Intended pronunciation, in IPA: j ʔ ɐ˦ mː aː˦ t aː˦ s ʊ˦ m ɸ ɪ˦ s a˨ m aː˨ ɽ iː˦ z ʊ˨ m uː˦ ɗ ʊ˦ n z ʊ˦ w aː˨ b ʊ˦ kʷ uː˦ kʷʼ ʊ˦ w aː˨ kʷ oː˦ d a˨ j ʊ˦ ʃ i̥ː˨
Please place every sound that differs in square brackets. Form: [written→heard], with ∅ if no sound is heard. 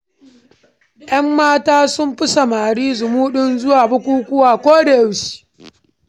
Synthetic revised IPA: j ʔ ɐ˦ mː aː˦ t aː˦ s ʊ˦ m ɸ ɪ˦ s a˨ m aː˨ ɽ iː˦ z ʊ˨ m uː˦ ɗ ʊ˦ n z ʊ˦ w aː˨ b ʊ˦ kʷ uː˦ [kʷʼ→kʷ] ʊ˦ w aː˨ kʷ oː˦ d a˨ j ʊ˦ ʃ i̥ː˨